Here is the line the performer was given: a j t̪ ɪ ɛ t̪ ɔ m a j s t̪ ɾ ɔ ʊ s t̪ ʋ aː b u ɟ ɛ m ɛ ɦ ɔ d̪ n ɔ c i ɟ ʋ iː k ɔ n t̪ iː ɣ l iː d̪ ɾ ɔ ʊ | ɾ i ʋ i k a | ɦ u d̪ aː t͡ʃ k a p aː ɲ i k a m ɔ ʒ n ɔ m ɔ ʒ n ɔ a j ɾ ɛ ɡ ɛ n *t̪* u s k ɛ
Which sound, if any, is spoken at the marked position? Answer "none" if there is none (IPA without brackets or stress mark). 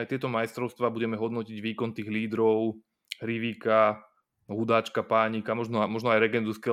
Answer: d̪